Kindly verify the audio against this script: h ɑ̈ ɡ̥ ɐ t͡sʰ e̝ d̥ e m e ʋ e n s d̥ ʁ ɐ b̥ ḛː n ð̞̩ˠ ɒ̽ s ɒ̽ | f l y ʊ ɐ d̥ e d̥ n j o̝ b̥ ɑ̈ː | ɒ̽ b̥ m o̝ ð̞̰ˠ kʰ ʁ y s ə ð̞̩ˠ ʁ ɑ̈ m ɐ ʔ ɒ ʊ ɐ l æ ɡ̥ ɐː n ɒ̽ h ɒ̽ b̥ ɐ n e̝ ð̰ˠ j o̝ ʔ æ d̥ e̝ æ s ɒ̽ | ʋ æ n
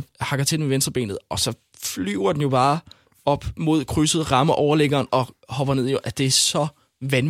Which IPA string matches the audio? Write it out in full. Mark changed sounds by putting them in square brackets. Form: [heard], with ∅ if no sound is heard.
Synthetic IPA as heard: h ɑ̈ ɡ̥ ɐ t͡sʰ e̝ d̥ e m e ʋ e n s d̥ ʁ ɐ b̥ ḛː n ð̞̩ˠ ɒ̽ s ɒ̽ | f l y ʊ ɐ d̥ e [∅] n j o̝ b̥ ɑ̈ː | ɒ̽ b̥ m o̝ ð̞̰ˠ kʰ ʁ y s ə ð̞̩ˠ ʁ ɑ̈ m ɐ ʔ ɒ ʊ ɐ l [e] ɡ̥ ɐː n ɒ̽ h ɒ̽ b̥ ɐ n e̝ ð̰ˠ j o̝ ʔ æ d̥ e̝ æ s ɒ̽ | ʋ æ n